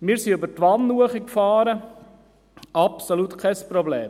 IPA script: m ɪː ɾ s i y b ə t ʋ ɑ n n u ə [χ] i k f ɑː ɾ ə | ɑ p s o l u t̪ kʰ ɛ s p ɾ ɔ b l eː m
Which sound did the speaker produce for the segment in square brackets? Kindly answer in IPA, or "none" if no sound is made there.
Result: χ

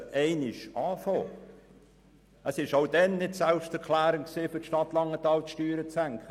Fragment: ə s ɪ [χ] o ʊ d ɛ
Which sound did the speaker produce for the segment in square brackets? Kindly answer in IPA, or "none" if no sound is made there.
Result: ʃ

